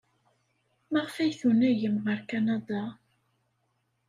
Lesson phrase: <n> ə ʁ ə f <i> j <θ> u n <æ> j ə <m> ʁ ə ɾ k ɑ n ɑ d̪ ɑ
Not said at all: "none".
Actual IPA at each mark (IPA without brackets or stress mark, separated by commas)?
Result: m, æ, θ, æ, m